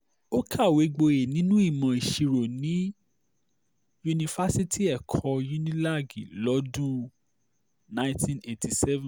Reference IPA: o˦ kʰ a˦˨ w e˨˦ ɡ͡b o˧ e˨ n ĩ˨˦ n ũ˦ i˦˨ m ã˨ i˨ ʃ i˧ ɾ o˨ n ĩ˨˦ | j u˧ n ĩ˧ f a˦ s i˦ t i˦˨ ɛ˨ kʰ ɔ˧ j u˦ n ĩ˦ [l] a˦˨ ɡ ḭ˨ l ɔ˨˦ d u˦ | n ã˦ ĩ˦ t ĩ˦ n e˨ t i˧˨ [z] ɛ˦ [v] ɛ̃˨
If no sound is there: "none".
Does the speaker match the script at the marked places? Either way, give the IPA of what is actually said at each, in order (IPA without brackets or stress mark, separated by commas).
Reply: l, s, v